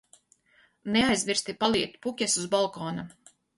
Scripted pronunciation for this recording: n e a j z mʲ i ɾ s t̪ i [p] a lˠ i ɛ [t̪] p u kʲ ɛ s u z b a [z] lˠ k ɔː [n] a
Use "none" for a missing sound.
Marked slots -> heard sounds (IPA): p, t̪, none, n

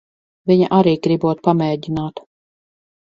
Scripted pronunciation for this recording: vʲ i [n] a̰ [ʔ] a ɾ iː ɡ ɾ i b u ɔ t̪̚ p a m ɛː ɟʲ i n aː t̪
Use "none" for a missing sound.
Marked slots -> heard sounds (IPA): ɲ, ʔ

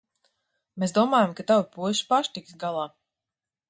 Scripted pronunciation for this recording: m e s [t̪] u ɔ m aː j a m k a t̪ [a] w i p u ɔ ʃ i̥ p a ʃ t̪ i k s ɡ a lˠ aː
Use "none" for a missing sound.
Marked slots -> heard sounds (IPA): d̪, a

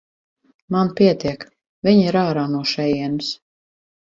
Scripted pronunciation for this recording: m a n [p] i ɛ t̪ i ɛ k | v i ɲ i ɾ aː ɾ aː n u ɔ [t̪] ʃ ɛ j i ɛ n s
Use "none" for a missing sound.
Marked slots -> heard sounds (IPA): p, none

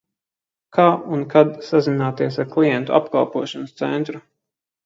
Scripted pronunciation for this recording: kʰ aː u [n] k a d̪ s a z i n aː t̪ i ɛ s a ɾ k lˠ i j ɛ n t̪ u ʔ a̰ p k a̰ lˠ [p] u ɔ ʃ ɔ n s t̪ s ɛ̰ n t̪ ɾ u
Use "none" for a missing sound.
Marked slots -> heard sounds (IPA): n, p

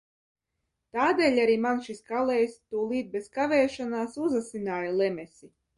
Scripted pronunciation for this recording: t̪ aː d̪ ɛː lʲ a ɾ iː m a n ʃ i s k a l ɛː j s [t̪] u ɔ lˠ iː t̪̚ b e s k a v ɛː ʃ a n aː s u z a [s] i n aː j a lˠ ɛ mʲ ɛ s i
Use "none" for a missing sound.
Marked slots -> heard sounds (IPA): t̪, s

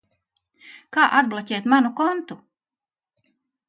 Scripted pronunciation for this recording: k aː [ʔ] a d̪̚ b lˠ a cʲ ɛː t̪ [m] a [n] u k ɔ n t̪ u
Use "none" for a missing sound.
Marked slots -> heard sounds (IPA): ʔ, m, n

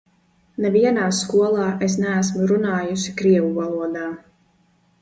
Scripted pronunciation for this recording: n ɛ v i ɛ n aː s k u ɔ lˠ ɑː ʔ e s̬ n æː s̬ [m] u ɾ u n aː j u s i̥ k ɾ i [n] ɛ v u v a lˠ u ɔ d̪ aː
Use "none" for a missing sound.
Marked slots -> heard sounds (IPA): m, none

